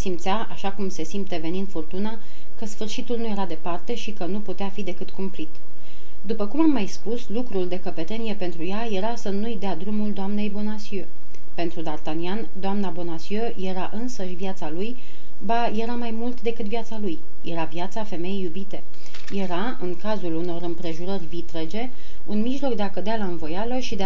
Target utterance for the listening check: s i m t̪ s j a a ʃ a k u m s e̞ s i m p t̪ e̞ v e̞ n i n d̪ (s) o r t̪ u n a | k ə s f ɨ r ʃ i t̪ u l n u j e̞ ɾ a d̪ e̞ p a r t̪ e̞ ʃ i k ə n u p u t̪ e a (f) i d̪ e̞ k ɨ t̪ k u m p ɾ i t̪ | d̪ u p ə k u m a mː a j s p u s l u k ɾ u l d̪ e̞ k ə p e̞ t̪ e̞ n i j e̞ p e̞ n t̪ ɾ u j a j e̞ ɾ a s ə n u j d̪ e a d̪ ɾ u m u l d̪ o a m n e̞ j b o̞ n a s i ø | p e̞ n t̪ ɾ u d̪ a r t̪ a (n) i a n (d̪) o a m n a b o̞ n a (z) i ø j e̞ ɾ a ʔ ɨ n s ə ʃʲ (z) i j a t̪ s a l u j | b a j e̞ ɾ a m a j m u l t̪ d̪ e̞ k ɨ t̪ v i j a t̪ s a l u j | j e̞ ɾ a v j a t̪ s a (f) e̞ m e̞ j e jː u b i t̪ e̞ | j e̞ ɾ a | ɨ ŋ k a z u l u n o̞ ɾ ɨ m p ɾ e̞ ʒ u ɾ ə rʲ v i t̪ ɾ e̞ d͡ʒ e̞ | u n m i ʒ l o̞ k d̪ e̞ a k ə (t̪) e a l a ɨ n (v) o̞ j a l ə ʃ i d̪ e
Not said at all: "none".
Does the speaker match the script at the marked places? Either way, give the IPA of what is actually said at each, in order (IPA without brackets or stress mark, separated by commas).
f, f, n, d̪, s, v, f, d̪, v